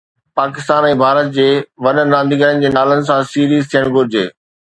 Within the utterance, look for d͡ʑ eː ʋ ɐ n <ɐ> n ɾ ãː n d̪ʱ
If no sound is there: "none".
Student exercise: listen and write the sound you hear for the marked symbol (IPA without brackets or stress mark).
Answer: ə